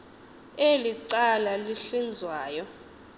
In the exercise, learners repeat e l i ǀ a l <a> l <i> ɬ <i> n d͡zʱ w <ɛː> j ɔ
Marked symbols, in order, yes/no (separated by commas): yes, yes, yes, no